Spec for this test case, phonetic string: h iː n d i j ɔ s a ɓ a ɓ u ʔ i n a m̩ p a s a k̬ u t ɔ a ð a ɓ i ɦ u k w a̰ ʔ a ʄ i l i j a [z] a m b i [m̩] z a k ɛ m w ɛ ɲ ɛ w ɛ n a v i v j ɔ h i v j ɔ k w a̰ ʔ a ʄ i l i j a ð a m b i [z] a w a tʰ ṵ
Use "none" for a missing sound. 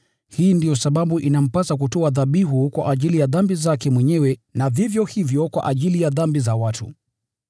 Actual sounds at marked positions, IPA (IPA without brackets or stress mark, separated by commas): ð, none, z